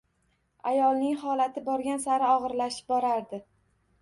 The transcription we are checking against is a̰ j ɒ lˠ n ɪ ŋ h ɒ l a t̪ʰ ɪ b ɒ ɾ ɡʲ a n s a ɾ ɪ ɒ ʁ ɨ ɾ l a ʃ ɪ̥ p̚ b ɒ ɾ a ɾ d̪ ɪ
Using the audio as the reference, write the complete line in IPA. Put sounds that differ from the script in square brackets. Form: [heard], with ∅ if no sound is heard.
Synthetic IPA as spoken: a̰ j ɒ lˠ n ɪ ŋ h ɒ l a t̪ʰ ɪ b ɒ ɾ ɡʲ a n s a ɾ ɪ ɒ ʁ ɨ ɾ l a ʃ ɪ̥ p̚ b ɒ ɾ a ɾ d̪ ɪ